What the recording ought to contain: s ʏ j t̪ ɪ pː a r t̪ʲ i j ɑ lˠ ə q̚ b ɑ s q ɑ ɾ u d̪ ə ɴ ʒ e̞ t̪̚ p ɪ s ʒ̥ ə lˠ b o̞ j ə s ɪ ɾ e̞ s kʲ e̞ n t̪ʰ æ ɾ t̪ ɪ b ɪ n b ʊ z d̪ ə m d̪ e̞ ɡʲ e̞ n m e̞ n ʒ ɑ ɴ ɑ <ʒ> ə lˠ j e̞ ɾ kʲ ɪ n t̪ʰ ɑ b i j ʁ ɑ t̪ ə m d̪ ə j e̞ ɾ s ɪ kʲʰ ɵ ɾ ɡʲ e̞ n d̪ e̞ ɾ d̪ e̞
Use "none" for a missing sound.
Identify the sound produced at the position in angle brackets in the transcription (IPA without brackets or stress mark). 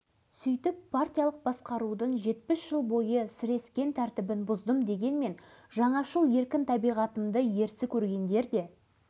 ʃ